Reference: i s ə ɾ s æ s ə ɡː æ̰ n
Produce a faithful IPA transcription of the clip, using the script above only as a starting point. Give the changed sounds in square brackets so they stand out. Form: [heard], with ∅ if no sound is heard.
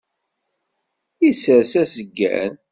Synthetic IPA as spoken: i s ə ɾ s æ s ə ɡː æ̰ n